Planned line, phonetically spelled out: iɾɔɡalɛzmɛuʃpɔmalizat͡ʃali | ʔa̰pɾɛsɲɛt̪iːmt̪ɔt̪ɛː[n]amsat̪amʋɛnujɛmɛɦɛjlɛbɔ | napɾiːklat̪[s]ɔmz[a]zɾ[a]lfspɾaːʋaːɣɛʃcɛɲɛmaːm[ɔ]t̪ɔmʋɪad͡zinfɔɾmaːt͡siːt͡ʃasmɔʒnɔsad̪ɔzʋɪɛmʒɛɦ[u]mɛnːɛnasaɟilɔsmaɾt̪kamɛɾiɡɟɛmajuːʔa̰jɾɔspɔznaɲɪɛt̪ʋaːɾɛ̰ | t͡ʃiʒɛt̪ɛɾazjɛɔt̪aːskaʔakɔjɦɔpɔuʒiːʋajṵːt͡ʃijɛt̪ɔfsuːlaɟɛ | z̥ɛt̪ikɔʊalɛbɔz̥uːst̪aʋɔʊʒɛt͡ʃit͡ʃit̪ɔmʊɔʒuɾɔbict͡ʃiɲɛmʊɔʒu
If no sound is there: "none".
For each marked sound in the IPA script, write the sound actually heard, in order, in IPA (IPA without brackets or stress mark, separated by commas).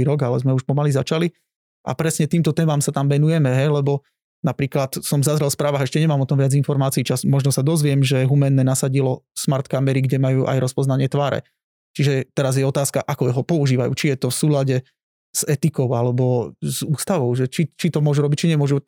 m, s, a, ɛ, ɔ, u